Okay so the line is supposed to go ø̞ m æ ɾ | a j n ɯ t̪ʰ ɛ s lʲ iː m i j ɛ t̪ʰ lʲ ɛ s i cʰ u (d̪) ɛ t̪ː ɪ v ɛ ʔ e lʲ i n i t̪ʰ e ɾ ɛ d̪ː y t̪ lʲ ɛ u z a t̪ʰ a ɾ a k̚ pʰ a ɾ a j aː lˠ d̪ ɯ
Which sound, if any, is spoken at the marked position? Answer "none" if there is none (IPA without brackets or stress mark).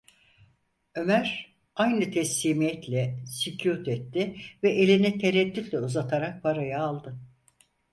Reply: t̪